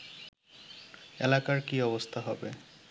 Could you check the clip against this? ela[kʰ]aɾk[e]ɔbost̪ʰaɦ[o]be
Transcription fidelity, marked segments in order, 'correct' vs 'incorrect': incorrect: k, incorrect: i, incorrect: ɔ

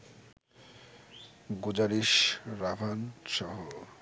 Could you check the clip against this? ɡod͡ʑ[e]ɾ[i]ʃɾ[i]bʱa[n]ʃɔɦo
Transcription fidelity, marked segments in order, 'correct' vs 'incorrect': incorrect: a, correct, incorrect: a, correct

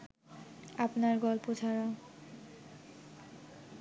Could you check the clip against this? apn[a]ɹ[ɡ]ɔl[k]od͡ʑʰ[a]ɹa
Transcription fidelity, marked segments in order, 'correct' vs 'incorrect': correct, correct, incorrect: p, correct

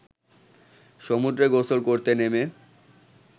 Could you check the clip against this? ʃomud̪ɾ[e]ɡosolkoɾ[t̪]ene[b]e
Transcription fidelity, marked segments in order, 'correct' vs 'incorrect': correct, correct, incorrect: m

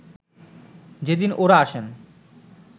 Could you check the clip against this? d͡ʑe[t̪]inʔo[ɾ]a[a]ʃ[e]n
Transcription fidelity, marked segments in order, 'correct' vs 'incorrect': incorrect: d̪, correct, correct, correct

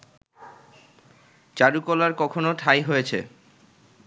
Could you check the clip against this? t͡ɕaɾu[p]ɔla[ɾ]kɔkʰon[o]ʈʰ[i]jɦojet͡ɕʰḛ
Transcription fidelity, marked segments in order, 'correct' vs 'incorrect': incorrect: k, correct, correct, incorrect: a

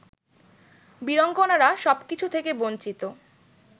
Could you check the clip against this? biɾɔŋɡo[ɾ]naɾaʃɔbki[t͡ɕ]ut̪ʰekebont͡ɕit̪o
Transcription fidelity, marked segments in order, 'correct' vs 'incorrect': incorrect: none, incorrect: t͡ɕʰ

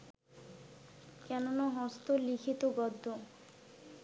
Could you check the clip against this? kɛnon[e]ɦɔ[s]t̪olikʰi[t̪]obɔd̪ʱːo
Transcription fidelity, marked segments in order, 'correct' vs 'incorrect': incorrect: a, correct, correct

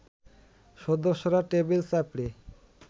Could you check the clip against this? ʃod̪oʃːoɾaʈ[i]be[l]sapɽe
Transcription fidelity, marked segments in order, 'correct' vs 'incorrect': incorrect: e, correct

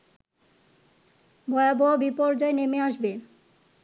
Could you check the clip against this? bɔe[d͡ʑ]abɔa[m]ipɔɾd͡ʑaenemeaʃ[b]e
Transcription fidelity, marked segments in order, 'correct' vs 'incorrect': incorrect: none, incorrect: b, correct

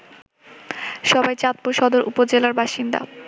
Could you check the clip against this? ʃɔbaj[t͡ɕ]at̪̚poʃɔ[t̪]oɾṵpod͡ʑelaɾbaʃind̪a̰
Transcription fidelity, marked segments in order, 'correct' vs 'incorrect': correct, incorrect: d̪

